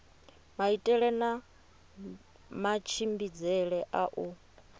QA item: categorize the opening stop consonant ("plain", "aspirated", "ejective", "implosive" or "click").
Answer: ejective